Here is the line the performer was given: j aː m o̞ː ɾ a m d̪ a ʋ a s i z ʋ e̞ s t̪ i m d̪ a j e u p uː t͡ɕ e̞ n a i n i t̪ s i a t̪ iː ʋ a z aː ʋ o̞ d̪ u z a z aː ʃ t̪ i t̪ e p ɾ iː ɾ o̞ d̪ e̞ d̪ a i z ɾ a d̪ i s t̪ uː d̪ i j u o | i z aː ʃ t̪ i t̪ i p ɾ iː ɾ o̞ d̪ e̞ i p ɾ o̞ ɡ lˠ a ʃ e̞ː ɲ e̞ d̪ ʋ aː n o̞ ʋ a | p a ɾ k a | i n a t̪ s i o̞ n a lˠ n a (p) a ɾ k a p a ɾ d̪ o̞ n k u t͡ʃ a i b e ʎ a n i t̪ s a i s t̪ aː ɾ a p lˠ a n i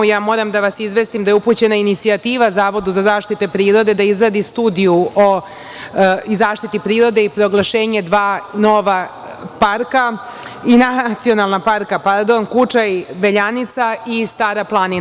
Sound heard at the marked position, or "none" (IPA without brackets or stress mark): p